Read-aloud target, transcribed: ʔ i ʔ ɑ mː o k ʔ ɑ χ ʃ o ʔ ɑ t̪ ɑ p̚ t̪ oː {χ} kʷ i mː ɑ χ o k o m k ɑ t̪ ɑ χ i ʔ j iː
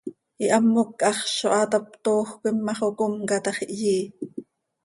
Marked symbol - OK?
no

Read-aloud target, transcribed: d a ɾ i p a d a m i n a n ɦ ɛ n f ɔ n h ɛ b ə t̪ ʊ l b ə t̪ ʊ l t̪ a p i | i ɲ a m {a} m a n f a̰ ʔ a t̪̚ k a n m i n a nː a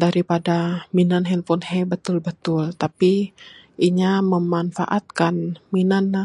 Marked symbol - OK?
no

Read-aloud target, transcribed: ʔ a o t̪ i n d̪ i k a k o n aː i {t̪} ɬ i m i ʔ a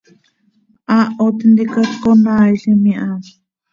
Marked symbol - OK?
no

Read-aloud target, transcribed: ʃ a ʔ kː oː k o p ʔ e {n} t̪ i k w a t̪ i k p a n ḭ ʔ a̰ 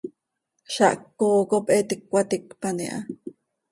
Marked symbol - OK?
no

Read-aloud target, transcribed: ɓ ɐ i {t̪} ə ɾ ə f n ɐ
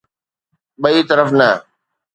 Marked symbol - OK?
yes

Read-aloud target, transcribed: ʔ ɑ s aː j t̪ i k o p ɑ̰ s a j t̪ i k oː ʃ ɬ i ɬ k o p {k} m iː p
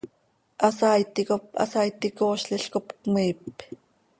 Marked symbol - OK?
yes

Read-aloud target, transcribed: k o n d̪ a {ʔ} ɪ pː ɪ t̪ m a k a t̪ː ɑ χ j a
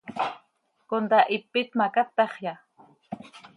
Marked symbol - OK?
yes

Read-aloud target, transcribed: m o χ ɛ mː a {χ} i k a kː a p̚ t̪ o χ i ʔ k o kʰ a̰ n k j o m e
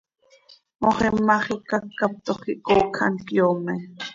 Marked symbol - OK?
yes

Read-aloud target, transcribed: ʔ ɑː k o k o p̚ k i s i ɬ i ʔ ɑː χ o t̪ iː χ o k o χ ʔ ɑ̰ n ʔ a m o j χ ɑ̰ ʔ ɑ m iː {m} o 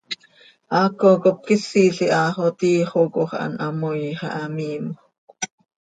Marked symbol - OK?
yes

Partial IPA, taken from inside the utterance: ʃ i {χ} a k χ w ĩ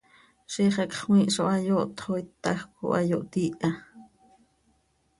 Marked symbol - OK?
yes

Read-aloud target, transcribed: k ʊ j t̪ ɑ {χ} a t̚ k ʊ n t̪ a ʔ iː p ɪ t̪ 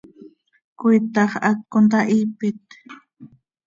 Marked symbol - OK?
yes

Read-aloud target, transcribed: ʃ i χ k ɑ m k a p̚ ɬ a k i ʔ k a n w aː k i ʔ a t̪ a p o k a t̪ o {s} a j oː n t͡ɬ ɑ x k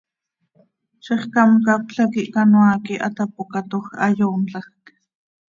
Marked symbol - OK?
no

